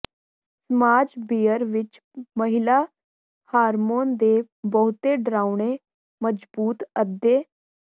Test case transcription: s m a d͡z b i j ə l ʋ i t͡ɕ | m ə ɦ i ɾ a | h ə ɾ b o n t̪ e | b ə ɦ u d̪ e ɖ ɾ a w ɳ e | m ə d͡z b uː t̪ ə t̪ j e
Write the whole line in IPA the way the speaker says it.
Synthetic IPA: s m a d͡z b i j ə ɾ ʋ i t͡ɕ | m ə ɦ i l a | h a ɾ m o n d̪ e | b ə ɦ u t̪ e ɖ ɾ a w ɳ e | m ə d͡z b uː t̪ ə d̪ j e